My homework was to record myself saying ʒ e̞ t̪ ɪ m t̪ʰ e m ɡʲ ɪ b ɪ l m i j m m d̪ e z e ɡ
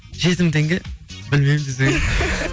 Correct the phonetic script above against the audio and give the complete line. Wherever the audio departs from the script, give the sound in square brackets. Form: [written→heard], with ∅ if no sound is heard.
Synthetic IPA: ʒ e̞ t̪ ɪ m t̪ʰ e [m→ŋ] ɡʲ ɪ b ɪ l m [i→e] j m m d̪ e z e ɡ